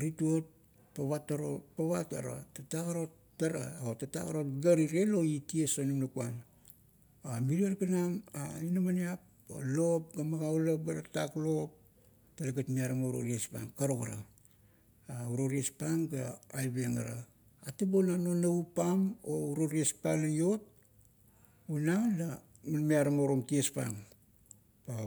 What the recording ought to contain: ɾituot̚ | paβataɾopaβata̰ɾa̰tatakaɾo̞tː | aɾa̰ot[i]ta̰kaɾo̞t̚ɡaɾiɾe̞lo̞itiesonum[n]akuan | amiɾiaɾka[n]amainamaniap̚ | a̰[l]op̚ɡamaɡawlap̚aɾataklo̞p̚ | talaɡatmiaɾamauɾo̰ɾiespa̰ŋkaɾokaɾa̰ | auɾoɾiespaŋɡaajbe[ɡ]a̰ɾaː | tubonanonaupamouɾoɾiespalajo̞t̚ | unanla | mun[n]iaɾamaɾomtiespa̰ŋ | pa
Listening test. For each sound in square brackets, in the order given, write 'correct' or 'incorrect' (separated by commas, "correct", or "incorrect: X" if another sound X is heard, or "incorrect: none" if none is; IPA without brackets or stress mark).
incorrect: a, correct, correct, correct, incorrect: ŋ, incorrect: m